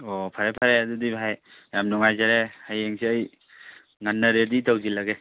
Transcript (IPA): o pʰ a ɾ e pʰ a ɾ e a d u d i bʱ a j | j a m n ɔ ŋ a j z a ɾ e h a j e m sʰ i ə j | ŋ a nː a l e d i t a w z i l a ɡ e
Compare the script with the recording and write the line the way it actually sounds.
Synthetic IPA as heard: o pʰ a ɾ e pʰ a ɾ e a d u d i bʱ a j | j a m n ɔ ŋ a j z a ɾ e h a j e ŋ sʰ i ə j | ŋ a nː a ɾ e d i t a w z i l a ɡ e